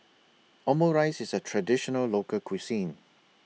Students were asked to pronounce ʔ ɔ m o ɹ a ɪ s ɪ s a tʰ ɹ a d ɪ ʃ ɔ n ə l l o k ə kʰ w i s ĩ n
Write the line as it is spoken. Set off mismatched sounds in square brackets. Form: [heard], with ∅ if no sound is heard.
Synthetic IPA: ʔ ɔ m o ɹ a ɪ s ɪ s [ə] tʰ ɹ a d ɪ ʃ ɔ n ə l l o k ə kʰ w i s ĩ n